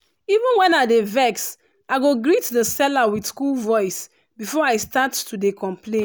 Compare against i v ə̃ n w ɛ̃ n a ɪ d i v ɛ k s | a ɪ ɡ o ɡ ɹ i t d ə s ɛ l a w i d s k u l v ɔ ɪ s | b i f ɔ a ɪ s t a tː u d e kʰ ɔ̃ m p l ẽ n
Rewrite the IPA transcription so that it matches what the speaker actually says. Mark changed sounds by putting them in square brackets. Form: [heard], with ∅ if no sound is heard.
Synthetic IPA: i v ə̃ n w ɛ̃ n a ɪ d [e] v ɛ k s | a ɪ ɡ o ɡ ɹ i t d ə s ɛ l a w i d s k u l v ɔ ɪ s | b i f ɔ a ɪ s t a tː u d e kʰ ɔ̃ m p l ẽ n